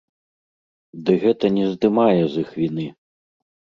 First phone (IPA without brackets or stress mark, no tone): d̪